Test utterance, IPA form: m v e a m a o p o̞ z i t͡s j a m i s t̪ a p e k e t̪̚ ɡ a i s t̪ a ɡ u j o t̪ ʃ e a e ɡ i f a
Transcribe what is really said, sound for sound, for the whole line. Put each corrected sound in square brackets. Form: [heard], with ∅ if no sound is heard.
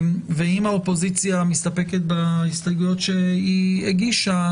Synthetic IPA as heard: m v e [i] m a o p o̞ z i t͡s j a m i s t̪ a p e k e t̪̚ [b] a i s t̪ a ɡ u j o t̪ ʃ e [i] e ɡ i [ʃ] a